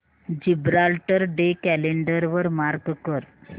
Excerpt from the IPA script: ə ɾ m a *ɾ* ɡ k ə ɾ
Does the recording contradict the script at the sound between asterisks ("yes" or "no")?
no